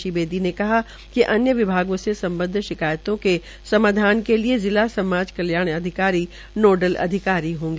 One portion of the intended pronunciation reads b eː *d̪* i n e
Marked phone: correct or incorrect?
correct